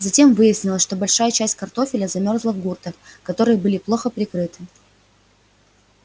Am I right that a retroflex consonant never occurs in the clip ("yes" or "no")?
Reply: no